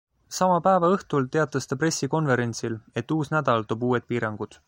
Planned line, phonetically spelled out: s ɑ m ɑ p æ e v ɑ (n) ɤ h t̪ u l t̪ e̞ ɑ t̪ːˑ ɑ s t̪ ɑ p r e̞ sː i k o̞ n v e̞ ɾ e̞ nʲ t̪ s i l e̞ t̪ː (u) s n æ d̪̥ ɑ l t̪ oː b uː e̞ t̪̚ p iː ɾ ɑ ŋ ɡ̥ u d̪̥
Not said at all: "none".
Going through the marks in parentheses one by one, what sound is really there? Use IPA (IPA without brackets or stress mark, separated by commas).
none, uː